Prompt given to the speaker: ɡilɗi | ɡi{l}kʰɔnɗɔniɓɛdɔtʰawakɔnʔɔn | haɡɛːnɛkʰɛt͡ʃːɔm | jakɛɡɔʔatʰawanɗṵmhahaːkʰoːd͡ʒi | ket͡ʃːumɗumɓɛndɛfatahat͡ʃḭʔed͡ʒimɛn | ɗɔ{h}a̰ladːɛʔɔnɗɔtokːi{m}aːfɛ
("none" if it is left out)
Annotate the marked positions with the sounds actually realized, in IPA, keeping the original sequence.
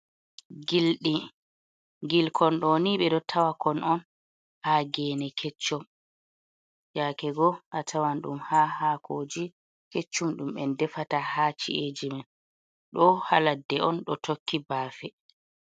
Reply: l, h, b

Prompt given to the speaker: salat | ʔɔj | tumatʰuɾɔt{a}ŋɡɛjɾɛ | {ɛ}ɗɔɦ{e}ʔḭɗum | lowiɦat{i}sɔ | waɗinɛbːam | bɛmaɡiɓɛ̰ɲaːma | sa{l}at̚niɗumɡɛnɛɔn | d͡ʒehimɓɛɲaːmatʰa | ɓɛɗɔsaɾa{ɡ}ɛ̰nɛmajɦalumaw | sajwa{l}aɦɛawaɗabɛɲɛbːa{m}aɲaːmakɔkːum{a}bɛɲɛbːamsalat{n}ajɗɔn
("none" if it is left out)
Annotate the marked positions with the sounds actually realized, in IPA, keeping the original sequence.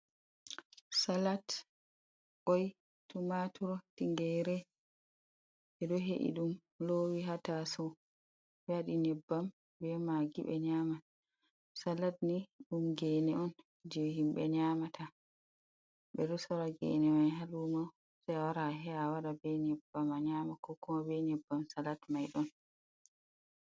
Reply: i, ɛ, e, a, l, ɡ, ɾ, m, a, m

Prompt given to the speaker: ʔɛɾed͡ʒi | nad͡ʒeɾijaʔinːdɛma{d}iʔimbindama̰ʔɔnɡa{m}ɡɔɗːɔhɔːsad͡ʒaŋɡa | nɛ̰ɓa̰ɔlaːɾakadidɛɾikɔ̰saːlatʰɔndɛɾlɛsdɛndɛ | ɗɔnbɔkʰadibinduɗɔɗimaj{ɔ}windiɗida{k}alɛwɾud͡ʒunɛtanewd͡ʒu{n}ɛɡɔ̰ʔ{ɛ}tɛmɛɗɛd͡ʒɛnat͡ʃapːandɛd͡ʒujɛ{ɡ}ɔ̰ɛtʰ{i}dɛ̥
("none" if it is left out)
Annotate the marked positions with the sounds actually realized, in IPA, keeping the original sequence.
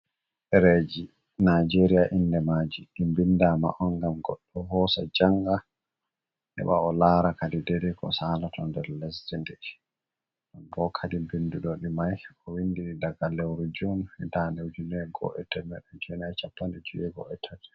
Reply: d͡ʒ, m, ɔ, ɡ, n, ɛ, ɡ, a

